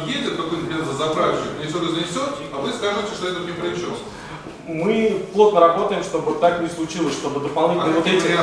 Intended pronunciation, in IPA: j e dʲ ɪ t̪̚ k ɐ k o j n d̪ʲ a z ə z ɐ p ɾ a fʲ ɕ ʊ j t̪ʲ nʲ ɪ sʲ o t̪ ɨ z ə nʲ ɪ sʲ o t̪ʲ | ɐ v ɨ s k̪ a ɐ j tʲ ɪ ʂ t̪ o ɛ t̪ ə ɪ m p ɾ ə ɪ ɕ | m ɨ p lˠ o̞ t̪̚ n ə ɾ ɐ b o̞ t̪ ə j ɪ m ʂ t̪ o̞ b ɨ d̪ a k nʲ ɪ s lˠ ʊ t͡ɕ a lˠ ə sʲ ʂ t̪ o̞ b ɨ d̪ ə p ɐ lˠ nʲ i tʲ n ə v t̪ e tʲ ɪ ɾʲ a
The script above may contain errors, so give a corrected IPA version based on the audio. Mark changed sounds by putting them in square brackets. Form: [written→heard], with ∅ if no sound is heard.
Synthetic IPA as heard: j e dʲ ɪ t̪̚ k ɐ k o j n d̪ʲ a z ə z ɐ p ɾ a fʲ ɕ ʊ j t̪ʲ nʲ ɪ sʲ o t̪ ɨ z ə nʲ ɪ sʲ o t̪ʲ | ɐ v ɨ s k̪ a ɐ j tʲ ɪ ʂ t̪ o ɛ t̪ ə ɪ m p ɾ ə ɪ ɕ | m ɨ p lˠ o̞ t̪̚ n ə ɾ ɐ b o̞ t̪ ə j ɪ m ʂ t̪ o̞ b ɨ [d̪→t̪] a k nʲ ɪ s lˠ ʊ t͡ɕ [a→i] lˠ ə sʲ ʂ t̪ o̞ b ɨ d̪ ə p ɐ lˠ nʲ i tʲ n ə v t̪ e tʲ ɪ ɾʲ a